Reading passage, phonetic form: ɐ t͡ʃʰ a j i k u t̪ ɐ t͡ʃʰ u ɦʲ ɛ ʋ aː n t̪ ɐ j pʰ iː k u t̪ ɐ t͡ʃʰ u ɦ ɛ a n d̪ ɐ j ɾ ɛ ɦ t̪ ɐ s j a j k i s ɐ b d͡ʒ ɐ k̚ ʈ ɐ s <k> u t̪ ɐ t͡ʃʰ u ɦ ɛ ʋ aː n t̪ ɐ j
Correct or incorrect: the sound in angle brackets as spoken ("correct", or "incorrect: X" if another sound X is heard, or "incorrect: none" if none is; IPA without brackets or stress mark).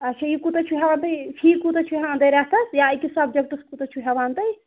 correct